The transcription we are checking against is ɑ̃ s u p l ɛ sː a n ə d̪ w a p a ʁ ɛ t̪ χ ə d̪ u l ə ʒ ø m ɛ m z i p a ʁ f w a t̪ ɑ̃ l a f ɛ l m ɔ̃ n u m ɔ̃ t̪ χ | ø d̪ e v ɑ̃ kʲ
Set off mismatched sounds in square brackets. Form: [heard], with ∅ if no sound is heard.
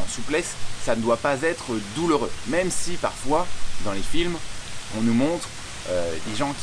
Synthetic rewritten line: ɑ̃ s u p l ɛ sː a n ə d̪ w a p a [z] ɛ t̪ χ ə d̪ u l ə [ʁ] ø m ɛ m [s] i p a ʁ f w a [d̪] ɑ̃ l [e] f [i] l m ɔ̃ n u m ɔ̃ t̪ χ | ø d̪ e [ʒ] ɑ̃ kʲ